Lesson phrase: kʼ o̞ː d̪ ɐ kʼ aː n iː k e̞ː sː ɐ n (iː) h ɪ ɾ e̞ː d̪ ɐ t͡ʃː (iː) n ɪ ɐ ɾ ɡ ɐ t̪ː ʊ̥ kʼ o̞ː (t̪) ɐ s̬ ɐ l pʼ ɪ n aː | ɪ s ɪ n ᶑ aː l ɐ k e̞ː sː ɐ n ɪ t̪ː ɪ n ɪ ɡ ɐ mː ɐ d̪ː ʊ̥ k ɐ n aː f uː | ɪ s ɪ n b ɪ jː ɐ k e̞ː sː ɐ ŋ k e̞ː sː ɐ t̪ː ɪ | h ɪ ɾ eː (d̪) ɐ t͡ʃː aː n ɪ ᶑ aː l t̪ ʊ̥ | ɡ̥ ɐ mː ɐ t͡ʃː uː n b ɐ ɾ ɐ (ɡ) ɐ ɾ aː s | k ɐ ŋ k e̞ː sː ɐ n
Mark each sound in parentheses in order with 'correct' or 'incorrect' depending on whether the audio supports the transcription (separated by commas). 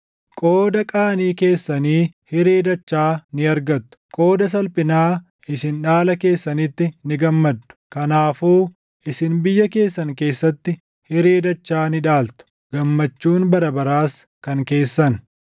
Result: correct, incorrect, incorrect, correct, incorrect